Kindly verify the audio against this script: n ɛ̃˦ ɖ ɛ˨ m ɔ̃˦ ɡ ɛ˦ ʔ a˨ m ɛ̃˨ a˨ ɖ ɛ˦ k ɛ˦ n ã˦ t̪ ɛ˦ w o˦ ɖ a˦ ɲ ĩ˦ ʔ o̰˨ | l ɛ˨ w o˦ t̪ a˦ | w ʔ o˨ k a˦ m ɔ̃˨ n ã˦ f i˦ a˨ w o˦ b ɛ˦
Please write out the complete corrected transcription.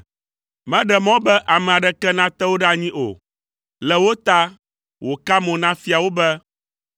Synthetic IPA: m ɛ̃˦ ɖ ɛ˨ m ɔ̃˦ b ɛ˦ ʔ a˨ m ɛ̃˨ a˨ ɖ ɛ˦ k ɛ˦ n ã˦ t̪ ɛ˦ w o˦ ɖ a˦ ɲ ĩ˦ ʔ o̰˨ | l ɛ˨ w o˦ t̪ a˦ | w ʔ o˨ k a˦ m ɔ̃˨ n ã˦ f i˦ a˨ w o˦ b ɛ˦